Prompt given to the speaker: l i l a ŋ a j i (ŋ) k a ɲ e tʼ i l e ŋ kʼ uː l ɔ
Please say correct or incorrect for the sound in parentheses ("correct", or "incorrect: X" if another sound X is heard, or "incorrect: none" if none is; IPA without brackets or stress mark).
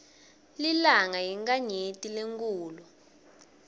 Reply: correct